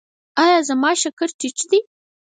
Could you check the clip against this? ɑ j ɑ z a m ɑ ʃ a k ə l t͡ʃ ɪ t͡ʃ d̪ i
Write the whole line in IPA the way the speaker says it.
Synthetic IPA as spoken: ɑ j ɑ z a m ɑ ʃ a k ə ɾ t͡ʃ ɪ t͡ʃ d̪ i